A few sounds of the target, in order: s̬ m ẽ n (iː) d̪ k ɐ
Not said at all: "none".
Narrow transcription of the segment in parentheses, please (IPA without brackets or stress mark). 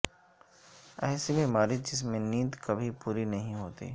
iː